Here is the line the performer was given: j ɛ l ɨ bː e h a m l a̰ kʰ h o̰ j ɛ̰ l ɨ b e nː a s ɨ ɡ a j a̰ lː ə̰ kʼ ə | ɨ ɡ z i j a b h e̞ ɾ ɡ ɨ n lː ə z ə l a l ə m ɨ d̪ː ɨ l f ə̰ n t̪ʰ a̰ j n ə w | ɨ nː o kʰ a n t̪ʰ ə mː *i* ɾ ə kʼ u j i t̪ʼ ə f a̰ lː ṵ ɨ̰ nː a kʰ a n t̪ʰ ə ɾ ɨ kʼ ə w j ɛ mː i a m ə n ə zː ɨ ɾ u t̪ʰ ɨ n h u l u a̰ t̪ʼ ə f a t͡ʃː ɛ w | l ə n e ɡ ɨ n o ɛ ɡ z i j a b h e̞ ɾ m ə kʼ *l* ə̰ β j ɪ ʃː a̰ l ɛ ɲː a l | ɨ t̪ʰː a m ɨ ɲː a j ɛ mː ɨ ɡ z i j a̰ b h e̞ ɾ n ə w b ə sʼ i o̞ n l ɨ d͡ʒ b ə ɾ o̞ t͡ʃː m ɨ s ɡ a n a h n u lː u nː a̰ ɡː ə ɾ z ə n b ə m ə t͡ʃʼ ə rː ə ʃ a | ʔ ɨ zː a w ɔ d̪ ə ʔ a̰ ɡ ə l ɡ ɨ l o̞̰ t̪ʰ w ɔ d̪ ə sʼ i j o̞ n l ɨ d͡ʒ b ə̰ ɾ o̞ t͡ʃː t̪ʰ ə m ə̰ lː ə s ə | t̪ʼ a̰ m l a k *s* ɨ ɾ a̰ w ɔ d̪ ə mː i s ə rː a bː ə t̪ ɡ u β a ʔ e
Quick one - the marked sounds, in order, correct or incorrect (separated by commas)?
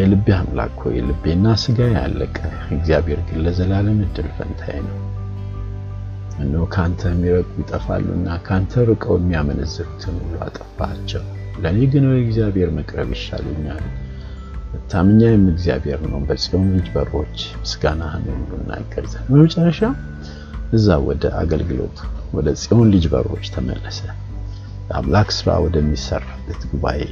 correct, incorrect, correct